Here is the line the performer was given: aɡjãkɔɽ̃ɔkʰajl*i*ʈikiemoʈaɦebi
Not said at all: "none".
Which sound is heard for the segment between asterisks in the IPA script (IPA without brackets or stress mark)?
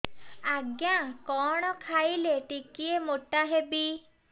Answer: e